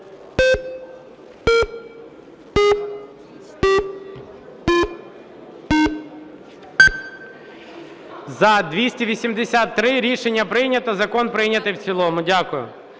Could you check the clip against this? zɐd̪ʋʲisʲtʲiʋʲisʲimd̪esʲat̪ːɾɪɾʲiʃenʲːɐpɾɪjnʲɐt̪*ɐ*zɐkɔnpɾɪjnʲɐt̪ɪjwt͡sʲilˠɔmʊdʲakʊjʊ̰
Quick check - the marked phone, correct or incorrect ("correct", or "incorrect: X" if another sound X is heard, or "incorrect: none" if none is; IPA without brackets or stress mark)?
correct